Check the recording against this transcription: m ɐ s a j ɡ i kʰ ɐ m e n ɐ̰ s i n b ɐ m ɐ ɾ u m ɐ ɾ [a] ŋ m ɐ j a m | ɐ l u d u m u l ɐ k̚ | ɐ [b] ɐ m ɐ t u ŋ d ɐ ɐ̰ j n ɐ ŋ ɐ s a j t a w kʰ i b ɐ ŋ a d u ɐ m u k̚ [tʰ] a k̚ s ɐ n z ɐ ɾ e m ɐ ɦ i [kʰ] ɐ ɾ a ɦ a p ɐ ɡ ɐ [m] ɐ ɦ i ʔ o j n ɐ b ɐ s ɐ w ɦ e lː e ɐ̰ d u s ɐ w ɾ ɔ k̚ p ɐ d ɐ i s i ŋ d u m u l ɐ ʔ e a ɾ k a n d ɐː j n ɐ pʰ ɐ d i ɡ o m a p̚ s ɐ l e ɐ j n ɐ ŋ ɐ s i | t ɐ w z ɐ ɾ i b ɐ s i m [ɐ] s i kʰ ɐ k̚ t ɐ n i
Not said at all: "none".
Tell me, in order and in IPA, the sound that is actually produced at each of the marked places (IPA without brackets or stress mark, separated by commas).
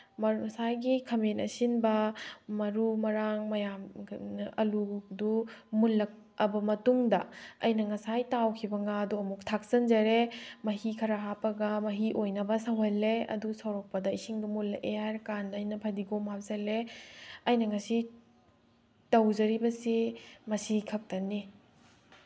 a, b, tʰ, kʰ, m, ɐ